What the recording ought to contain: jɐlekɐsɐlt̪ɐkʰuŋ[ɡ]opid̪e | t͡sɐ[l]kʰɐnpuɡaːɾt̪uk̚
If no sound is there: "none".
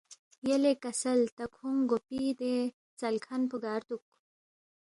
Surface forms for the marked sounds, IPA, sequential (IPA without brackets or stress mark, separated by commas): ɡ, l